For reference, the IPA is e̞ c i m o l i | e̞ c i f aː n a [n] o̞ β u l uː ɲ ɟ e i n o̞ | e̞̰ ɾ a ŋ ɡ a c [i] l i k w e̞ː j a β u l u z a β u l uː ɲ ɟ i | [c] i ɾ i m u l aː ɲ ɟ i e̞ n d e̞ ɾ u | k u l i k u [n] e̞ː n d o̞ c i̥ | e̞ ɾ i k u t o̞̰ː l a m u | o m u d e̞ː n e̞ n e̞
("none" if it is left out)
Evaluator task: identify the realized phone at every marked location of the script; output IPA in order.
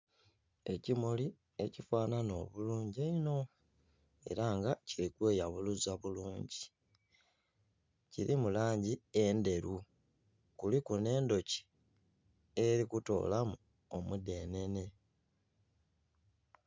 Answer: n, i, c, n

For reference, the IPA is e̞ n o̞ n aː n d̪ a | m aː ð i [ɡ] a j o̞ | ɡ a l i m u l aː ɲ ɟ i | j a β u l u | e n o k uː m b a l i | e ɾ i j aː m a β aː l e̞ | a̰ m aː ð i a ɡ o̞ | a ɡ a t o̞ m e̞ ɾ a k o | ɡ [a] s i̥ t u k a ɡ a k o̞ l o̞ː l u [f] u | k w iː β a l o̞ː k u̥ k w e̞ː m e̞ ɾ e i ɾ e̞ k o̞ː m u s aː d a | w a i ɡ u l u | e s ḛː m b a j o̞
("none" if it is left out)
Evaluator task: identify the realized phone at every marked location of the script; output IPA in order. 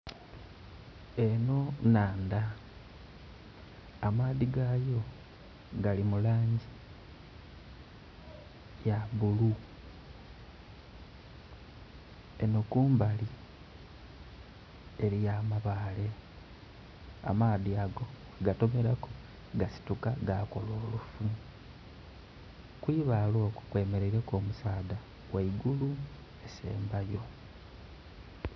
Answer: ɡ, a, f

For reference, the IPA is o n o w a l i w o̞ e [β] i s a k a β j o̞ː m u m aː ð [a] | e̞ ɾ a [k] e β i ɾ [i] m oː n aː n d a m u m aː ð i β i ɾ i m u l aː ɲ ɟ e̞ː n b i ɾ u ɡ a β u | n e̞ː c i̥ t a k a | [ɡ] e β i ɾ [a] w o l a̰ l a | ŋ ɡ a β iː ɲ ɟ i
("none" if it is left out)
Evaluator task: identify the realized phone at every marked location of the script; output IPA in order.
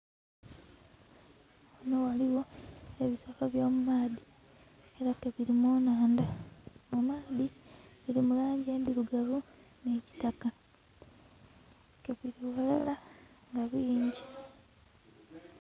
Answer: β, i, k, i, k, i

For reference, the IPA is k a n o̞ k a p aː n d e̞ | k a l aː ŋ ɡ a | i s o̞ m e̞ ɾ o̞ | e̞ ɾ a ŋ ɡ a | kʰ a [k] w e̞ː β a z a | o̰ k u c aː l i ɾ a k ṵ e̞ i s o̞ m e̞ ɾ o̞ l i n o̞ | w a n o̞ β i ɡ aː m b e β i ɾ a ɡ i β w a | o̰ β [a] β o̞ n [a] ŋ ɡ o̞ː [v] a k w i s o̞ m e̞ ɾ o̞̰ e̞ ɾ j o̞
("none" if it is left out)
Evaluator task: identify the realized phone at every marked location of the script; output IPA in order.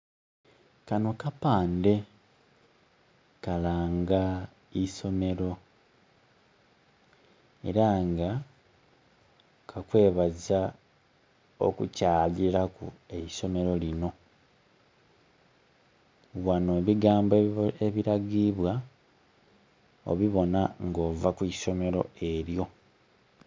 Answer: k, i, a, v

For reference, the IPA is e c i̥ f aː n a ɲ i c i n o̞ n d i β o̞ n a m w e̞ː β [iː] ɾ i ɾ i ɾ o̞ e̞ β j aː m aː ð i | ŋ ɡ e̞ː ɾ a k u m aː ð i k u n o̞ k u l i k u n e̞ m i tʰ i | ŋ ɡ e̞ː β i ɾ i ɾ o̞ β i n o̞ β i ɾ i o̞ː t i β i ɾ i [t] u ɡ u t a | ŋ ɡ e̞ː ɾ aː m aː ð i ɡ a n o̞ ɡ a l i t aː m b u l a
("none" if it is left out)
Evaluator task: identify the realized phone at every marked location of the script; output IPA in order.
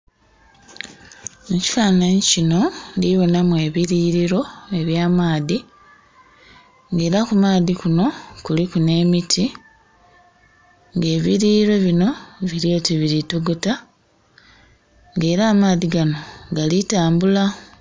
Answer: i, t

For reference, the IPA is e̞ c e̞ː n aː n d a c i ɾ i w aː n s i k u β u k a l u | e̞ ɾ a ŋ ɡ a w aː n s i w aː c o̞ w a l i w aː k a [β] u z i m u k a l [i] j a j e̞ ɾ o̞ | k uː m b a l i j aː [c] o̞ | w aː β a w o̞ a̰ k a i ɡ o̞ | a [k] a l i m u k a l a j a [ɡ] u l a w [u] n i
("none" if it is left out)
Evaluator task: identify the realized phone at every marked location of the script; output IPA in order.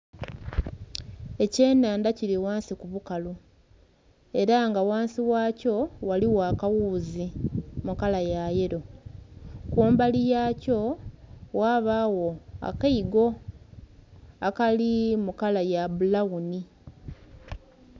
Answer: w, a, c, k, b, u

